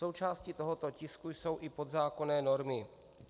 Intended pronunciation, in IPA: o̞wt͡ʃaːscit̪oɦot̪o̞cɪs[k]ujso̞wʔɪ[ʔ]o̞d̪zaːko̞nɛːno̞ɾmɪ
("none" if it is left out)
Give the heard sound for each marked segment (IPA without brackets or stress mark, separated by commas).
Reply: k, p